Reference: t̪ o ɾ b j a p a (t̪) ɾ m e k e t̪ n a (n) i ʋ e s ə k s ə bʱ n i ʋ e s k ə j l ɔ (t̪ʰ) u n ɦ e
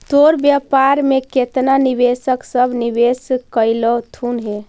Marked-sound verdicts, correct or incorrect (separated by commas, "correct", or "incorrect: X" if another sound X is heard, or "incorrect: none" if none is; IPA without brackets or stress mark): incorrect: none, correct, correct